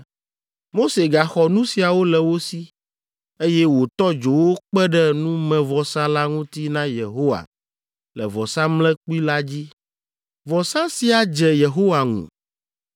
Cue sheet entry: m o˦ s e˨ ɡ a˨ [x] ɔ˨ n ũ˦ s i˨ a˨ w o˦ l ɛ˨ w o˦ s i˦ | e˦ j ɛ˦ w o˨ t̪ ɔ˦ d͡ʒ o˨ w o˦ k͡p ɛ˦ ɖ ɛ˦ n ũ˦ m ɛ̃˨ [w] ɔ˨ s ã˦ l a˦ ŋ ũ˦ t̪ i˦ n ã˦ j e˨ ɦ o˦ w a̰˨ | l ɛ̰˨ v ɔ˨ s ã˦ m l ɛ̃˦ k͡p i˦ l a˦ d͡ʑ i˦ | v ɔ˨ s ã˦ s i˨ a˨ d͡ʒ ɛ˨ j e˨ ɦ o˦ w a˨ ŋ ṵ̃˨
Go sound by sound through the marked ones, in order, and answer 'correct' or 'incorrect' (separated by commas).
correct, incorrect